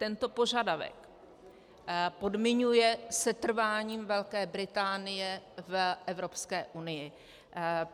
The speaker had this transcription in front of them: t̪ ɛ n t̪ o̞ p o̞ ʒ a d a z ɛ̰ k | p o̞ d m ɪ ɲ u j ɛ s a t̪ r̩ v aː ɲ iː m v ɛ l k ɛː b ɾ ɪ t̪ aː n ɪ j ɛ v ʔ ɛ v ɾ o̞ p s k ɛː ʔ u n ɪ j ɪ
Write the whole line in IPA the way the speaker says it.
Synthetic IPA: t̪ ɛ n t̪ o̞ p o̞ ʒ a d a v ɛ̰ k | p o̞ d m ɪ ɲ u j ɛ s ɛ t̪ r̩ v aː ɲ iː m v ɛ l k ɛː b ɾ ɪ t̪ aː n ɪ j ɛ v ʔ ɛ v ɾ o̞ p s k ɛː ʔ u n ɪ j ɪ